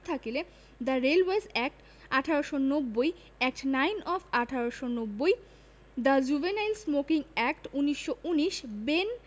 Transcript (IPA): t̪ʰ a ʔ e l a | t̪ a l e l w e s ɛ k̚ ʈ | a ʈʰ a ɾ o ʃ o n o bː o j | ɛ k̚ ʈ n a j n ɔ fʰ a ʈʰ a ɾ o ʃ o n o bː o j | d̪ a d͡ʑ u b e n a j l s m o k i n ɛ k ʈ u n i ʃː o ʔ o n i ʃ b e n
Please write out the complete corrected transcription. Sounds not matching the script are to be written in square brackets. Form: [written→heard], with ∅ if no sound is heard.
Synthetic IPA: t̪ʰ a [ʔ→k] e l [a→e] | [t̪→d̪] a [l→ɾ] e l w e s ɛ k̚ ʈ | a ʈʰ a ɾ o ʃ o n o bː o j | ɛ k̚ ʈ n a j n ɔ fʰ a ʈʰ a ɾ o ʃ o n o bː o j | d̪ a d͡ʑ u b e n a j l s m o k i [n→ŋ] ɛ k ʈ u n i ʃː o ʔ [o→u] n i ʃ b e n